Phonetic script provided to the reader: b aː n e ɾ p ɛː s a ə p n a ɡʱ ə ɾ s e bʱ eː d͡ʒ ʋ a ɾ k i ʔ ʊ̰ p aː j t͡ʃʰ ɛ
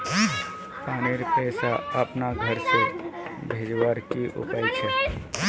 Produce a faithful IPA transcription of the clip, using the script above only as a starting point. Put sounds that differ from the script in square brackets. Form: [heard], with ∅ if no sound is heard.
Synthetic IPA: [p] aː n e ɾ p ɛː s a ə p n a ɡʱ ə ɾ s e bʱ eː d͡ʒ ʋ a ɾ k i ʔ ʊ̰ p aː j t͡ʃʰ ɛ